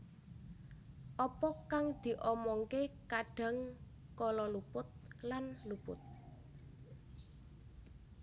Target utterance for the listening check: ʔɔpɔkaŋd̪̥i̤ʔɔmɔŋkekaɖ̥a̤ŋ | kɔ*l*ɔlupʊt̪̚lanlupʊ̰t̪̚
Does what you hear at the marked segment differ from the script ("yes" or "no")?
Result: no